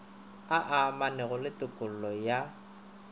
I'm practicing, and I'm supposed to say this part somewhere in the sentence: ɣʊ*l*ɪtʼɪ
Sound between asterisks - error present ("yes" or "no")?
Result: no